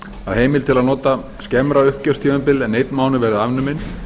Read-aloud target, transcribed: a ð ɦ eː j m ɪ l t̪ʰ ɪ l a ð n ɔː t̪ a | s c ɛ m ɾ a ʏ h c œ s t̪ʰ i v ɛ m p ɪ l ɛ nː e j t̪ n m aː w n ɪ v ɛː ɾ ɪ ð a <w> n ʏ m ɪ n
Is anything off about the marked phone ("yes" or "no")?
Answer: yes